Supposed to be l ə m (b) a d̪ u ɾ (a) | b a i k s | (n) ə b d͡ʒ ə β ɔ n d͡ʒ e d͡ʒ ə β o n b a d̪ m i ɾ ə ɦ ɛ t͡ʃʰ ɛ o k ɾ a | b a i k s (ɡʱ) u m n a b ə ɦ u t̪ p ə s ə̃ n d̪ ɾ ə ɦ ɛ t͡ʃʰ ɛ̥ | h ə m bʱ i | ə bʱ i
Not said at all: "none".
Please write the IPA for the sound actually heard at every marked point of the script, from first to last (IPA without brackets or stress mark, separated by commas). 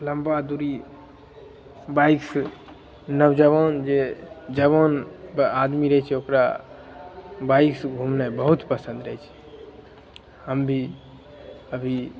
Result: b, i, n, ɡʱ